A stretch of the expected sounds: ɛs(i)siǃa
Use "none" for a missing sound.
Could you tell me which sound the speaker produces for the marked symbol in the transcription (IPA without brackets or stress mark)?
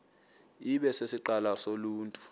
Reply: e